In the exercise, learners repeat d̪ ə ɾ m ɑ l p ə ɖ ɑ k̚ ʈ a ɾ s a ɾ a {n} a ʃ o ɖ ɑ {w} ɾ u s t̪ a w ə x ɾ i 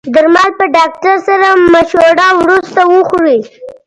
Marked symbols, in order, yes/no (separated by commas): no, yes